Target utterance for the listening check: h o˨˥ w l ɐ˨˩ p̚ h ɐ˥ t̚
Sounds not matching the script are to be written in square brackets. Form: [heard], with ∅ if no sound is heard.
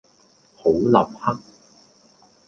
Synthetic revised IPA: h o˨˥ w l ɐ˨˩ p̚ h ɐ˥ [k̚]